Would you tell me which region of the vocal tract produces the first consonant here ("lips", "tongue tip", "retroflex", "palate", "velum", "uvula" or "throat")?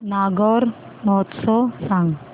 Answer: tongue tip